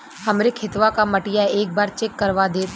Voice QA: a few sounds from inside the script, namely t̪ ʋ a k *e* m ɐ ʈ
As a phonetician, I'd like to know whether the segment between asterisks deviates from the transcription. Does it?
yes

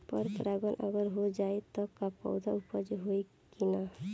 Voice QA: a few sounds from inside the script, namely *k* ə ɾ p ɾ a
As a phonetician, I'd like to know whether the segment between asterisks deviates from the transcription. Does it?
yes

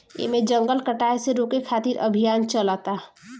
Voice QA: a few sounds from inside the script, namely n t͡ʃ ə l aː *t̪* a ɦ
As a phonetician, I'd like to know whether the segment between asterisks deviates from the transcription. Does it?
no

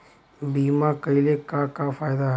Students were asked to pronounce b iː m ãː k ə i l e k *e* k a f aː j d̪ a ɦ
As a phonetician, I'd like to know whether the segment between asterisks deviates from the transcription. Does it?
yes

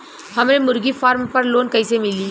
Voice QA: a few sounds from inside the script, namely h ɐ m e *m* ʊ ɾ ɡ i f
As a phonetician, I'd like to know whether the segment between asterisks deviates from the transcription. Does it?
no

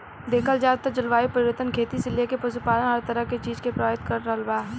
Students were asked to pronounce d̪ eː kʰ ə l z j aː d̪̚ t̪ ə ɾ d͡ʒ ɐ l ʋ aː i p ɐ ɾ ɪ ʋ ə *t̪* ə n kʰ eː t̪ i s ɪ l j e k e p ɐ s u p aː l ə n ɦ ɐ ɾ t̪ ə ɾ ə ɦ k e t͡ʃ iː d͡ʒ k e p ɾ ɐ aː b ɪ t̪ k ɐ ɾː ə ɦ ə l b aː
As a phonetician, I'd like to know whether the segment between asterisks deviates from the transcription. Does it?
no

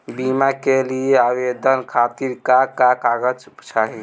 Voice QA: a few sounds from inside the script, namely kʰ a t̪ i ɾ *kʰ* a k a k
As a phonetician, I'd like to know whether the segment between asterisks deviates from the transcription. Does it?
yes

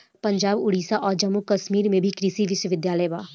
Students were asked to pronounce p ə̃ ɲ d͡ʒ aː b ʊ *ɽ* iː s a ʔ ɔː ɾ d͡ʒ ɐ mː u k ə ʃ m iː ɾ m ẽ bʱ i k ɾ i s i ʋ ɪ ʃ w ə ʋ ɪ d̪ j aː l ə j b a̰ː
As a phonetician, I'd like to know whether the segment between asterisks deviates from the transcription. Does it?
no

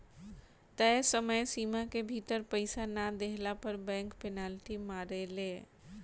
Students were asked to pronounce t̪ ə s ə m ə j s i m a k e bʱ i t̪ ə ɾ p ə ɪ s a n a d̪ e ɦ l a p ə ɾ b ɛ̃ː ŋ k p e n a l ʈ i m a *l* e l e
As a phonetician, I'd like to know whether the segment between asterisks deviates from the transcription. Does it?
yes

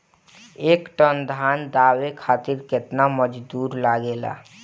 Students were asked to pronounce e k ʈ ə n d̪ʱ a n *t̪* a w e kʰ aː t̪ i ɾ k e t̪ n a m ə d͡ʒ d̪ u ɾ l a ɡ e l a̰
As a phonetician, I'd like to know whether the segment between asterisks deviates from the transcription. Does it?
yes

